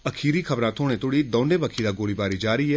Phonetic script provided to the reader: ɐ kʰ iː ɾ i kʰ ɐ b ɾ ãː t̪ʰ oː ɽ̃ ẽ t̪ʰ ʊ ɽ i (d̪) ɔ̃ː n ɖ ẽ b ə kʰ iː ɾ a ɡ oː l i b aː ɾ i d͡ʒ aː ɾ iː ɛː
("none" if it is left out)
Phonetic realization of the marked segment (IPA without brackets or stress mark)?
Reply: d̪